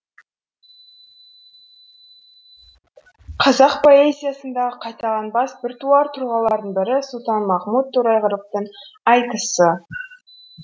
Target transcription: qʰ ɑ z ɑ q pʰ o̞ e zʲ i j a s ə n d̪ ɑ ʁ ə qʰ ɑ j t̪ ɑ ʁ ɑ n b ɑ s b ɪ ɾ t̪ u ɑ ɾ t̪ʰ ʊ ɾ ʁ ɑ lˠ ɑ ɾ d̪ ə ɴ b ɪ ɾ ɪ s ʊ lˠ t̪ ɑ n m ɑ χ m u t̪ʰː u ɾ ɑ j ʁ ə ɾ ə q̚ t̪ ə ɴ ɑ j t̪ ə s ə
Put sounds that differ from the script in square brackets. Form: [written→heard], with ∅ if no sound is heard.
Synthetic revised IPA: qʰ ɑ z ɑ q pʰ o̞ e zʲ i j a s ə n d̪ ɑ ʁ ə qʰ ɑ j t̪ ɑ ʁ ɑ n b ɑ s b ɪ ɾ t̪ u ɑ ɾ t̪ʰ ʊ ɾ ʁ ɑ lˠ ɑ ɾ d̪ ə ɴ b ɪ ɾ ɪ s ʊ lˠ t̪ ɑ n m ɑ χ m u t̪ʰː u ɾ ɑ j ʁ ə ɾ ə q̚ t̪ ə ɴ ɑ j t̪ ə s ə